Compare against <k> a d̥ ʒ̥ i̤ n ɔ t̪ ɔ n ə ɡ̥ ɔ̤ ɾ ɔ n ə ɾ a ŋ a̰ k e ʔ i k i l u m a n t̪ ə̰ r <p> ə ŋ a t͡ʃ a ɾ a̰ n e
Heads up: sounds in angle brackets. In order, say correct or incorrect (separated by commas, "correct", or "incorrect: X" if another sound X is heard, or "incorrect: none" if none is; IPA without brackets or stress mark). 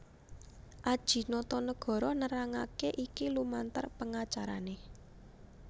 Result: incorrect: ʔ, correct